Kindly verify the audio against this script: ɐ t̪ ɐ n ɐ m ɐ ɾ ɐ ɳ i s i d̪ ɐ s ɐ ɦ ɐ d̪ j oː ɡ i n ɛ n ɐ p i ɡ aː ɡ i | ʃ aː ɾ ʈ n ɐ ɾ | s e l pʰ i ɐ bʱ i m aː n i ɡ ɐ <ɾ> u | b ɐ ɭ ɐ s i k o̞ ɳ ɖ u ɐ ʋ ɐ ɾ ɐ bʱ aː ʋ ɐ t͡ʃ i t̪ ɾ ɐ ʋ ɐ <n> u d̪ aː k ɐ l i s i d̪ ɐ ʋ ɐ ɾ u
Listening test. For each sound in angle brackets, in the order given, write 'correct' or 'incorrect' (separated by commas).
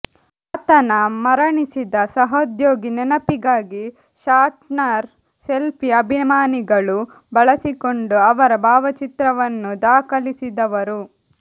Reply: incorrect, incorrect